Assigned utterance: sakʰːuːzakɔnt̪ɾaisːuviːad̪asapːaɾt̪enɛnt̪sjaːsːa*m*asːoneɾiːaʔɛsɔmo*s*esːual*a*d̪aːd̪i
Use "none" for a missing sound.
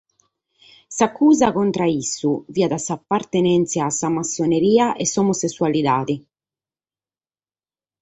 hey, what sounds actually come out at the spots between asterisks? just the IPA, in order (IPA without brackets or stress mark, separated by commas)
m, s, i